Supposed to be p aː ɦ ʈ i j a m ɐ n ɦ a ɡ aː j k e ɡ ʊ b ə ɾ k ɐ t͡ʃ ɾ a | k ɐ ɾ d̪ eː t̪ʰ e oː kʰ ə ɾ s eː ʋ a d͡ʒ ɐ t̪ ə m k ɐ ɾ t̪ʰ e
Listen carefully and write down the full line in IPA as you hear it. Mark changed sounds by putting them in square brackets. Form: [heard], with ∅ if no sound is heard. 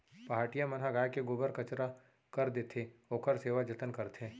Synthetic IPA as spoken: p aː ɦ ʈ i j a m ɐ n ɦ a ɡ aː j k e ɡ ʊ b ə ɾ k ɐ t͡ʃ ɾ a | k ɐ ɾ d̪ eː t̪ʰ e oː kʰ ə ɾ s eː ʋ a d͡ʒ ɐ t̪ ə [n] k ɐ ɾ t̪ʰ e

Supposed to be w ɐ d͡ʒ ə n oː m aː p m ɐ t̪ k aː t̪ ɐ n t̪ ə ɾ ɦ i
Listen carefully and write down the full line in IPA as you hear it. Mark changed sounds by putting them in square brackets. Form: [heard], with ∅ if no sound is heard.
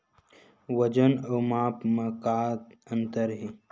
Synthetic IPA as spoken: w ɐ d͡ʒ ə n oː m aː p m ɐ [∅] k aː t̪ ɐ n t̪ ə ɾ ɦ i

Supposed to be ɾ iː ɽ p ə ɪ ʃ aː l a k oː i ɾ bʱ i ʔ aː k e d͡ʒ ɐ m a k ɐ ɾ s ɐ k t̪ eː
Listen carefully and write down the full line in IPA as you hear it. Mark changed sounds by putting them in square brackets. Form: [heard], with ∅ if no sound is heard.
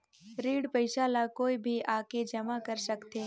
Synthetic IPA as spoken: ɾ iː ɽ p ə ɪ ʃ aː l a k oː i [∅] bʱ i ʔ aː k e d͡ʒ ɐ m a k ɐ ɾ s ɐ k t̪ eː

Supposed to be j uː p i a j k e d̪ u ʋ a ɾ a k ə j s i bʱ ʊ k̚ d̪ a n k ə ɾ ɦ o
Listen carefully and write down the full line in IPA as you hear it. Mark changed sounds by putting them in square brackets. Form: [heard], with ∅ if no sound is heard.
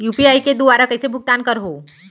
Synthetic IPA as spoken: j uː p i a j k e d̪ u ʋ a ɾ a k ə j s [e] bʱ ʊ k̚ [t̪] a n k ə ɾ ɦ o

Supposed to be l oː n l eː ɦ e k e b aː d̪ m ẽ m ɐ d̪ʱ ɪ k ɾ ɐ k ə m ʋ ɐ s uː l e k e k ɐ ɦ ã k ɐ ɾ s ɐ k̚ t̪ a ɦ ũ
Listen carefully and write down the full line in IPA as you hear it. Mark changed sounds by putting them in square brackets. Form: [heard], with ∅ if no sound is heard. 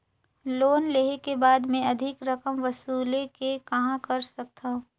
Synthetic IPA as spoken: l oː n l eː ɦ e k e b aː d̪ m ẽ [∅] ɐ d̪ʱ ɪ k ɾ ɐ k ə m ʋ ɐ s uː l e k e k ɐ ɦ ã k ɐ ɾ s ɐ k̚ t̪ a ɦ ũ

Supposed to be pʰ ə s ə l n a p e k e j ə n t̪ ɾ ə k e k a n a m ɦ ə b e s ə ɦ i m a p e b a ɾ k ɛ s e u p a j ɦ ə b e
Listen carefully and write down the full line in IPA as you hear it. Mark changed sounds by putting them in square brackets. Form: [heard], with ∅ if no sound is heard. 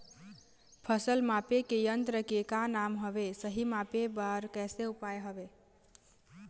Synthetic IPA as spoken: pʰ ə s ə l [m] a p e k e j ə n t̪ ɾ ə k e k a n a m ɦ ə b e s ə ɦ i m a p e b a ɾ k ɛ s e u p a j ɦ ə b e

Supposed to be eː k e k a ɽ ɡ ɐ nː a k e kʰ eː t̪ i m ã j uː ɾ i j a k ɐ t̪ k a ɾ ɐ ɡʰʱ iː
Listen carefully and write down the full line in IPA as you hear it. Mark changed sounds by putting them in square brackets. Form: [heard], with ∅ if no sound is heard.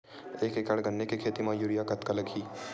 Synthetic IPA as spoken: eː k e k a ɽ ɡ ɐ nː [e] k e kʰ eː t̪ i m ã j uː ɾ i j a k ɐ t̪ k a [l] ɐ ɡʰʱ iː

